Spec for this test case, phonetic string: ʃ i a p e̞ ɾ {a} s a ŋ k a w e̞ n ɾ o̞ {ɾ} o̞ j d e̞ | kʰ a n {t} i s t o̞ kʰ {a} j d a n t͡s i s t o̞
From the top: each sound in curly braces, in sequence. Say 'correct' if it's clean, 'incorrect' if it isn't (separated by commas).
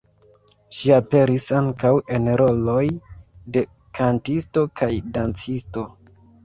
incorrect, incorrect, correct, correct